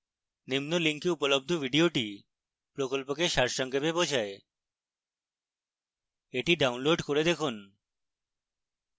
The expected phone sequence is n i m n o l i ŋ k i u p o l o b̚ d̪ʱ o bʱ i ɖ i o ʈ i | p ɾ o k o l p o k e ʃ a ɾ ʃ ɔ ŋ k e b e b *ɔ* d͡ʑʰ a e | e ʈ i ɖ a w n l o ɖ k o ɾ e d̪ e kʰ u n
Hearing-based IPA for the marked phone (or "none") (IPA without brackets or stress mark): o